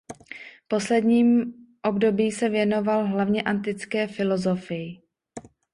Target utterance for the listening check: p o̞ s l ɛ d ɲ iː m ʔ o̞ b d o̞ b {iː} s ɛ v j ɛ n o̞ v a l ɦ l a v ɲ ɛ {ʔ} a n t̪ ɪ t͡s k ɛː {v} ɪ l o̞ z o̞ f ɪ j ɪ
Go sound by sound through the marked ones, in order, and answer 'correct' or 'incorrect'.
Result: correct, correct, incorrect: f

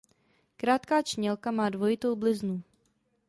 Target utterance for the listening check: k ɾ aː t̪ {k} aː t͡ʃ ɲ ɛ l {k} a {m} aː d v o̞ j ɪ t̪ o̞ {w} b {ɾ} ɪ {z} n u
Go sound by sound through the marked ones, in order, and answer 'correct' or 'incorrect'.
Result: correct, correct, correct, correct, incorrect: l, correct

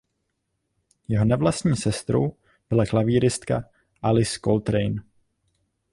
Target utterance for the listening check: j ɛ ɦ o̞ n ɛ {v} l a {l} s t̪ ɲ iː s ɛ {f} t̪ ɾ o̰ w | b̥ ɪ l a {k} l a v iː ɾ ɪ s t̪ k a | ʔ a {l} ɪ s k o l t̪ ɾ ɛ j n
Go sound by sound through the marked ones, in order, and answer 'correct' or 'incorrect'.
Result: correct, incorrect: none, incorrect: s, correct, correct

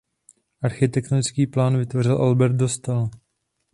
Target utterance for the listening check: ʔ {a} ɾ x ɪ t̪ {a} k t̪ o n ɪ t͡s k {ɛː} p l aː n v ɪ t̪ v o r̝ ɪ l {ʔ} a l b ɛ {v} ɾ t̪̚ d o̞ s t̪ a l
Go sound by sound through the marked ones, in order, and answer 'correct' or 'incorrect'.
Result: correct, incorrect: ɛ, incorrect: iː, correct, incorrect: none

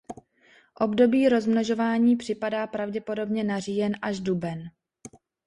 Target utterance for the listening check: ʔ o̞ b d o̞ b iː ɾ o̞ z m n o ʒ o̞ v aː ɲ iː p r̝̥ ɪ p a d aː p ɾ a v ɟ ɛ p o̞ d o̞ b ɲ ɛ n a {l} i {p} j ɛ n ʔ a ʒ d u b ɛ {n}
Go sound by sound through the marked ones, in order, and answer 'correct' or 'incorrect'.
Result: incorrect: r, incorrect: none, correct

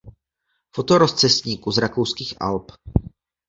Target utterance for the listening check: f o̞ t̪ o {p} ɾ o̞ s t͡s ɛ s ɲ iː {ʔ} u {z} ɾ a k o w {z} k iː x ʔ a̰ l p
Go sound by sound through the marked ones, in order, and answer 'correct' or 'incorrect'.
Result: incorrect: none, incorrect: k, correct, incorrect: s

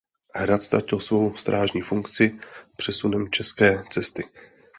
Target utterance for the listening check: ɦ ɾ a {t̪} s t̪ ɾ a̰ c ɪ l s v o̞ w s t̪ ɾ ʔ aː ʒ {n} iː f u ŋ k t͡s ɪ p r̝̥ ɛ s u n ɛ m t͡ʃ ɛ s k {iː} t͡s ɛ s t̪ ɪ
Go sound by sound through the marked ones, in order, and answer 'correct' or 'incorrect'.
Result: correct, incorrect: ɲ, incorrect: ɛː

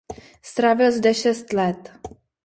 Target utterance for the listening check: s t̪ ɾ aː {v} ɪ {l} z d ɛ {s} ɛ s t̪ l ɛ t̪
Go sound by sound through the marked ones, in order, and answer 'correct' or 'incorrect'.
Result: correct, correct, incorrect: ʃ

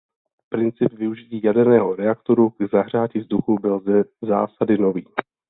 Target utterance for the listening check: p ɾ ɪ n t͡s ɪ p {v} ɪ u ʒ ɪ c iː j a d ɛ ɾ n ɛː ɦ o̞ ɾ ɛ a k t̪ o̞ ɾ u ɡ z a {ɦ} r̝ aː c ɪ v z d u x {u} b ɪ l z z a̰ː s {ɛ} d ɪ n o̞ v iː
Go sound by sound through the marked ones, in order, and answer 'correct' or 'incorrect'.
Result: correct, correct, correct, incorrect: a

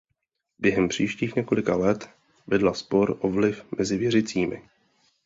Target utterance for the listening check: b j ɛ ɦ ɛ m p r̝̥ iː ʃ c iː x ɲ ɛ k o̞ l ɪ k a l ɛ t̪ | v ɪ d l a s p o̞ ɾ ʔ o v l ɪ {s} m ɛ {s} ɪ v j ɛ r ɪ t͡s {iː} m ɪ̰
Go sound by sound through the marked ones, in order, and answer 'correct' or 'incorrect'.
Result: incorrect: f, incorrect: z, correct

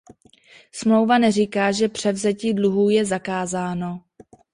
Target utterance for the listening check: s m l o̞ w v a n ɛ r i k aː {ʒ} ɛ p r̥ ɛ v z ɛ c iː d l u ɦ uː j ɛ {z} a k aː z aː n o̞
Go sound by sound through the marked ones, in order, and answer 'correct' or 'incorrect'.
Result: correct, correct

